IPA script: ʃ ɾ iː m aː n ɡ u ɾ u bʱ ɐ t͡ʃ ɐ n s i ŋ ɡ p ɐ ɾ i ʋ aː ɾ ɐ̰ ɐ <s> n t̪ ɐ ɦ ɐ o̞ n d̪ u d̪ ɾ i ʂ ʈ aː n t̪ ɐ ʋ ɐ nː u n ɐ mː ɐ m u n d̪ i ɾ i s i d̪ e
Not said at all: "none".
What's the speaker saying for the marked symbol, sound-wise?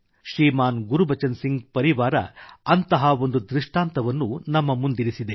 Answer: none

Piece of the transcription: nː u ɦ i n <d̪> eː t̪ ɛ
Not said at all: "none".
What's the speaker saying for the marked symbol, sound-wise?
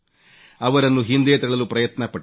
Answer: d̪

